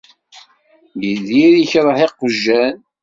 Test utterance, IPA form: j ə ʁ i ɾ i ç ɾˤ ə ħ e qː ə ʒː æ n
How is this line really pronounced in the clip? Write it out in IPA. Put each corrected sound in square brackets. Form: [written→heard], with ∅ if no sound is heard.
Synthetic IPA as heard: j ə [ʁ→ð] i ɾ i ç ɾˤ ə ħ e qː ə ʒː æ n